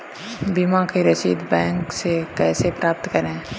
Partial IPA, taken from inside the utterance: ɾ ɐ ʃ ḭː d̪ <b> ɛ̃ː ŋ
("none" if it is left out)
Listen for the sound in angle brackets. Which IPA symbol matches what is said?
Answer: b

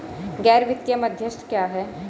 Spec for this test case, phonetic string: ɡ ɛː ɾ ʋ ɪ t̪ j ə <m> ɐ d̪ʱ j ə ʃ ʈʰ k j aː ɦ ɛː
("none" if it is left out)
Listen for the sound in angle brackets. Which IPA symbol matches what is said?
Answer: m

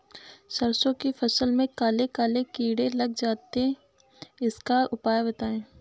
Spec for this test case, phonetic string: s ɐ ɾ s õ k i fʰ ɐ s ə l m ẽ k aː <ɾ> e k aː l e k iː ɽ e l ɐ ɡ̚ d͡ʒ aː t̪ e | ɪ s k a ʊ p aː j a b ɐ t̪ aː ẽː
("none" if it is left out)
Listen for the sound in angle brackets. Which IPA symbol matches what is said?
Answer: l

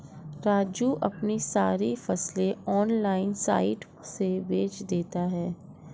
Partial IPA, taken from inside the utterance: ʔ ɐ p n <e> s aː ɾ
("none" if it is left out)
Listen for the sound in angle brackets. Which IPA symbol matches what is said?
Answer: i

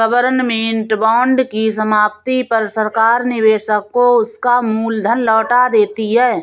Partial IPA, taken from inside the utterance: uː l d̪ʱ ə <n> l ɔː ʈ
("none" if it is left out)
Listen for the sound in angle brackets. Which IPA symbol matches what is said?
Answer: n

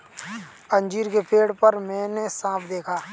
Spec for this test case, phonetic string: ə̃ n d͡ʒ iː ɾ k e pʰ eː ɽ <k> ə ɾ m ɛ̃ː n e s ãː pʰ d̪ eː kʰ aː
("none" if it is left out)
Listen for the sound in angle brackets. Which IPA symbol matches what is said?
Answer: p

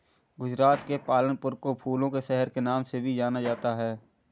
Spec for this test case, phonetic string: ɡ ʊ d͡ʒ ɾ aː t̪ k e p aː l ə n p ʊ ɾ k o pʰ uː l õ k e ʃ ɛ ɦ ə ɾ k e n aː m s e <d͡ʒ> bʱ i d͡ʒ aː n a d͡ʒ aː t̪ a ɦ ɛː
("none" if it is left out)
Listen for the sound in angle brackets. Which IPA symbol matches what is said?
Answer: none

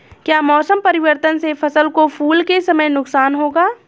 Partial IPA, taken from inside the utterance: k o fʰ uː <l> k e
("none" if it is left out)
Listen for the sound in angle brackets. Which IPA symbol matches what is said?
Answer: l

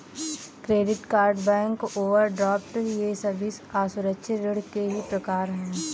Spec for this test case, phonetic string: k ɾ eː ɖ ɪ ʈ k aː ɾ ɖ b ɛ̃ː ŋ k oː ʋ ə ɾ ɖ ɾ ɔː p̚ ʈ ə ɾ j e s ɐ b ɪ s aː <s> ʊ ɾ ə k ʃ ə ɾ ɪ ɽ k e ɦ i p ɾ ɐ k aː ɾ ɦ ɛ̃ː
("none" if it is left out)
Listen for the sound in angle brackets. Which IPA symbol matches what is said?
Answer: s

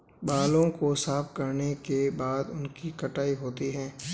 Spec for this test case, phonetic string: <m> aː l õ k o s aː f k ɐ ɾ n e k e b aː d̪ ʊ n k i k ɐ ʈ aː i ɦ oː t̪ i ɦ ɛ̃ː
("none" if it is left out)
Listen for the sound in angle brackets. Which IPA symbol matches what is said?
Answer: b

